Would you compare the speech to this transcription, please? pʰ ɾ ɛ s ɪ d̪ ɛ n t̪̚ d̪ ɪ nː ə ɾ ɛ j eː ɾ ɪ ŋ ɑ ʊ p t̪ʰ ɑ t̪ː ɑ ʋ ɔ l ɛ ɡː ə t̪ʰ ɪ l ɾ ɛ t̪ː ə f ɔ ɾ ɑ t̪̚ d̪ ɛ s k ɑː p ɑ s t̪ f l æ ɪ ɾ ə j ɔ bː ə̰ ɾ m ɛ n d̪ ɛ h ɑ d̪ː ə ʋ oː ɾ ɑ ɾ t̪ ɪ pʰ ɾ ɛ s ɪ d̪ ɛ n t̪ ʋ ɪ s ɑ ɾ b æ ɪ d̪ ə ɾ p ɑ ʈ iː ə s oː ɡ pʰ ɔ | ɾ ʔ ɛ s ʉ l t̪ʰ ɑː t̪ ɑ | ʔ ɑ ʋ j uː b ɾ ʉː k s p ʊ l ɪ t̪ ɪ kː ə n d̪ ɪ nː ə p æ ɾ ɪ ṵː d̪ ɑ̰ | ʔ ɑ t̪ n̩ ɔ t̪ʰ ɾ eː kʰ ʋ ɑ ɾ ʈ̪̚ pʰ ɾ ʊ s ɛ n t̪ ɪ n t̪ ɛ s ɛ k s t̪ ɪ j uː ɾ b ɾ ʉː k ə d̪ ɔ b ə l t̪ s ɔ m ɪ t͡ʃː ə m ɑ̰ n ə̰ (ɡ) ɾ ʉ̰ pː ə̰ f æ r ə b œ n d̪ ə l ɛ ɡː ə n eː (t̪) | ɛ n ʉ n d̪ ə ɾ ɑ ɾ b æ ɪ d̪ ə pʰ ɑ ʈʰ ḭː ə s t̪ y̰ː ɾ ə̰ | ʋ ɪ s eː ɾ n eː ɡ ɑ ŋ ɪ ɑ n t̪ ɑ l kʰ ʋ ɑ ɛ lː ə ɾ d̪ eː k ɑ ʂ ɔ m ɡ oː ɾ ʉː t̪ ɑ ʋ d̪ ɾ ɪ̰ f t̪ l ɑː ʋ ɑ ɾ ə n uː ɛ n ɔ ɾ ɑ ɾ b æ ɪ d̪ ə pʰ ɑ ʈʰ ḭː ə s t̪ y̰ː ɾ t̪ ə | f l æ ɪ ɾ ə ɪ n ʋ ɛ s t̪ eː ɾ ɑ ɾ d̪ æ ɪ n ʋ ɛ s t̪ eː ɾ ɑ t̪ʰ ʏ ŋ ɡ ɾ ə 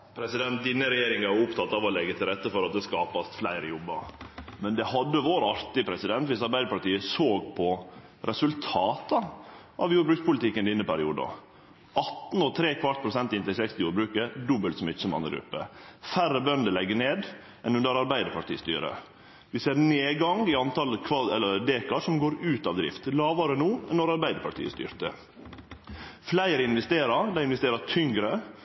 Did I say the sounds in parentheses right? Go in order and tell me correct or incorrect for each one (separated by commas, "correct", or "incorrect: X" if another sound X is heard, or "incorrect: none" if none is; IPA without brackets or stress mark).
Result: correct, incorrect: d̪